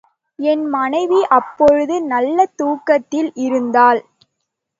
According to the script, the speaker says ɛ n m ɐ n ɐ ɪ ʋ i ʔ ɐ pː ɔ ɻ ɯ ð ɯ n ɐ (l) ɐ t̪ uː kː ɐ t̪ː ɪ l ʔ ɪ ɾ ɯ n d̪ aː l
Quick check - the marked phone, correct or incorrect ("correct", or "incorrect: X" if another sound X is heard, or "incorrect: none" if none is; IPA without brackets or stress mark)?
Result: incorrect: lː